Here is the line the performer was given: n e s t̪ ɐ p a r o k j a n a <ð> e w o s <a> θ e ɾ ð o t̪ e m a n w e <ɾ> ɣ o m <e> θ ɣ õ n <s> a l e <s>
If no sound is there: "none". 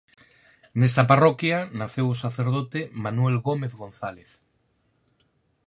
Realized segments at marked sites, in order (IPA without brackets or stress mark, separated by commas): θ, a, l, e, θ, θ